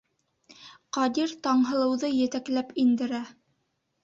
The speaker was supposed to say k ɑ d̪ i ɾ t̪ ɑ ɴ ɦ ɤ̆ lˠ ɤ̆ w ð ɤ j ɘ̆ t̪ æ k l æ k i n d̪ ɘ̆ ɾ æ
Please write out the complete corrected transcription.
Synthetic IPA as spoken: q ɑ d̪ i ɾ t̪ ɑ ɴ ɦ ɤ̆ lˠ ɤ̆ w ð ɤ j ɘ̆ t̪ æ k l æ p i n d̪ ɘ̆ ɾ æ